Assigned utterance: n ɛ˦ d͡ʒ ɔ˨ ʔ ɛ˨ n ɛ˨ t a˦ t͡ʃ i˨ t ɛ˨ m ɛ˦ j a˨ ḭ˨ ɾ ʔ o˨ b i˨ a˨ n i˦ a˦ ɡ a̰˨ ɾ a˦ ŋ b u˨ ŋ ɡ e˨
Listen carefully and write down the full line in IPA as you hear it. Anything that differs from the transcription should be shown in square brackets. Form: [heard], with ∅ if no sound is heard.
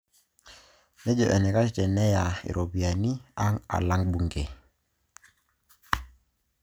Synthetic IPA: n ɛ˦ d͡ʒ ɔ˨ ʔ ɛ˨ n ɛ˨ [k] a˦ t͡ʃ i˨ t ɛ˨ [n] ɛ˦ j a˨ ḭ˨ ɾ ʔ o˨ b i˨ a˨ n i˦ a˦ [ŋ] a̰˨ [l] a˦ ŋ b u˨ ŋ ɡ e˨